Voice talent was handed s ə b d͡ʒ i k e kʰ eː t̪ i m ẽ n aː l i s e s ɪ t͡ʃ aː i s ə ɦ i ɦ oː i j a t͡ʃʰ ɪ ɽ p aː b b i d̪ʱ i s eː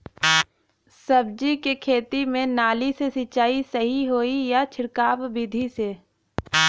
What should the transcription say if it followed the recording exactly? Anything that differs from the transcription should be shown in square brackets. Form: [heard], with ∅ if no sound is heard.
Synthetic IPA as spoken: s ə b d͡ʒ i k e kʰ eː t̪ i m ẽ n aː l i s e s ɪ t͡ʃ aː i s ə ɦ i ɦ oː i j a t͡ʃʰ ɪ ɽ [k] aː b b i d̪ʱ i s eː